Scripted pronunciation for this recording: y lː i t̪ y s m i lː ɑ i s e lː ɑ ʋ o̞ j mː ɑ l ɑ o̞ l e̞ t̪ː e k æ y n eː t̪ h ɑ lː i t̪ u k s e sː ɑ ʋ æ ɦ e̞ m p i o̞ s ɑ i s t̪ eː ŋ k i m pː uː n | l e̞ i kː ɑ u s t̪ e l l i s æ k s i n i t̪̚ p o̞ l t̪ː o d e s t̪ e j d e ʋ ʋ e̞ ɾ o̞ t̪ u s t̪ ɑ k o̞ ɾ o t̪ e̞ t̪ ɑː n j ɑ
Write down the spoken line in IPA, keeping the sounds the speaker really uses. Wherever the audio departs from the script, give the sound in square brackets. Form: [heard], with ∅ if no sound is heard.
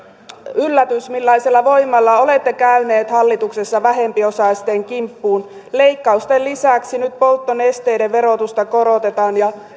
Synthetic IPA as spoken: y lː [æ] t̪ y s m i lː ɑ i s e lː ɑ ʋ o̞ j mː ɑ [lː] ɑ o̞ l e̞ t̪ː e k æ y n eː t̪ h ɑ lː i t̪ u k s e sː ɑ ʋ æ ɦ e̞ m p i o̞ s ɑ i s t̪ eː ŋ k i m pː uː n | l e̞ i kː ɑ u s t̪ e l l i s æ k s i n [y] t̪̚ p o̞ l t̪ː o [n] e s t̪ e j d e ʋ ʋ e̞ ɾ o̞ t̪ u s t̪ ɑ k o̞ ɾ o t̪ e̞ t̪ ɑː n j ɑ